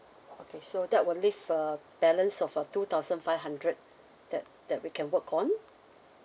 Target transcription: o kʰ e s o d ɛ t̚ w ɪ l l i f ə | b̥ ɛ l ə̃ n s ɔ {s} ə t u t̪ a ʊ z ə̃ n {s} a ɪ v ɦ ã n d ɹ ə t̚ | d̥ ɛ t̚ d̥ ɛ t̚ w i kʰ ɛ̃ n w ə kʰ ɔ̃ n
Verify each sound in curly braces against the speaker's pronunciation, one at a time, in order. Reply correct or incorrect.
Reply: incorrect: f, incorrect: f

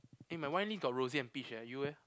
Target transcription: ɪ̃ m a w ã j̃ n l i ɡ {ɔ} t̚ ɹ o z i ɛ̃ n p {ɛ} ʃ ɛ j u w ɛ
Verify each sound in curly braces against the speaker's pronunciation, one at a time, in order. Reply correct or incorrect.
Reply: correct, incorrect: i

